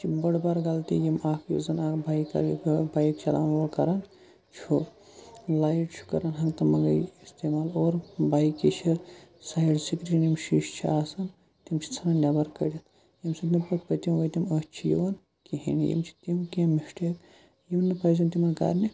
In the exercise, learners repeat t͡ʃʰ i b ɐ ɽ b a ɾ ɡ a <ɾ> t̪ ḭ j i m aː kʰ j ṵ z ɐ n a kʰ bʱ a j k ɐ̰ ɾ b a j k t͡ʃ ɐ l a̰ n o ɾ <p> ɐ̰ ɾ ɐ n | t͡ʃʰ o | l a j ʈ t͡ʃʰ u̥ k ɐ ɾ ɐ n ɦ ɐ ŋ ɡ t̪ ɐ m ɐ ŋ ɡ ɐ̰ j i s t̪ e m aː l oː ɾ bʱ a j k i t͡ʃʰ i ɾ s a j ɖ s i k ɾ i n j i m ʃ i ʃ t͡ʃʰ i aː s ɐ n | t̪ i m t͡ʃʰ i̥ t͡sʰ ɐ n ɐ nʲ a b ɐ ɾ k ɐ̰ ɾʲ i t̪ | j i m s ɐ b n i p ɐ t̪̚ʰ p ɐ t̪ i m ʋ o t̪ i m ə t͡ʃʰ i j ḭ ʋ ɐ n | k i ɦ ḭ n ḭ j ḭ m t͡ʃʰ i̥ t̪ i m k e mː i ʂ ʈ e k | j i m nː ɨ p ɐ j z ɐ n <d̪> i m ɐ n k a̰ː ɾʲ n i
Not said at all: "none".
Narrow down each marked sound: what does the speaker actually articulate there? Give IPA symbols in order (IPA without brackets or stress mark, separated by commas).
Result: l, k, t̪